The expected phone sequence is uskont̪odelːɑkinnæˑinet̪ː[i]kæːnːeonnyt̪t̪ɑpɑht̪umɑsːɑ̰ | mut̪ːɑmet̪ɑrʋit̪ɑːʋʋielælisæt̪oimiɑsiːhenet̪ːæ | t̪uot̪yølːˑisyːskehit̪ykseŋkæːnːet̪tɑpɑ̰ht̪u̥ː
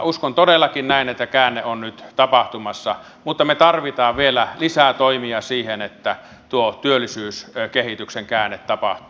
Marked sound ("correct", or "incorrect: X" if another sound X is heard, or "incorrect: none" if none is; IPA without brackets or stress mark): incorrect: æ